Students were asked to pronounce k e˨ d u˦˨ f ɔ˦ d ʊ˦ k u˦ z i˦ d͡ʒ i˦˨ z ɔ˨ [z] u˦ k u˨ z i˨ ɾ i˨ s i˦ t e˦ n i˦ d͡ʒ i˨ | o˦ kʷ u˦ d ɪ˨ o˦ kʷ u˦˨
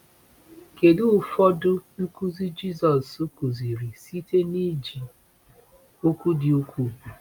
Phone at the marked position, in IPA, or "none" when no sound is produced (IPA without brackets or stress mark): s